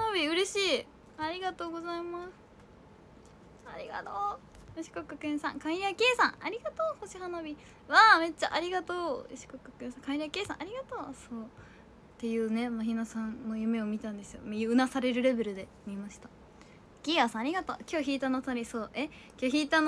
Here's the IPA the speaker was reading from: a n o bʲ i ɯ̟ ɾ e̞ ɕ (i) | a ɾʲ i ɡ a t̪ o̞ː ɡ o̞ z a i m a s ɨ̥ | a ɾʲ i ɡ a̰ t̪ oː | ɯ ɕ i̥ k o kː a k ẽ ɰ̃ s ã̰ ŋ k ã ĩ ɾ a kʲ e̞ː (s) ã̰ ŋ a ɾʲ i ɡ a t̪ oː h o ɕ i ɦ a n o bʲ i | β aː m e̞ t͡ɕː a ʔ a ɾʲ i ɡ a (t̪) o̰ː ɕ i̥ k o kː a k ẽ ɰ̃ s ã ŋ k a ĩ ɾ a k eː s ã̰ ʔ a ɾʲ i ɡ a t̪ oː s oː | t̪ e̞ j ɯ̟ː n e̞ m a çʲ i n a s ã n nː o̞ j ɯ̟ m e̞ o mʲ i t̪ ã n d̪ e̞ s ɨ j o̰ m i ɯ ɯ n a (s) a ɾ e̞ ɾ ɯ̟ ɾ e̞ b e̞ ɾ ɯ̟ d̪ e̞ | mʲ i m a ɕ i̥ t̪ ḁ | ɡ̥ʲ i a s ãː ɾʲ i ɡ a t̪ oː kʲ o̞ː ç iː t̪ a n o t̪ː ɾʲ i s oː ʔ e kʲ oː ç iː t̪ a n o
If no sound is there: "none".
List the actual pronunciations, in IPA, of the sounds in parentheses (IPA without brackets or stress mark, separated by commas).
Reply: iː, s, t̪, s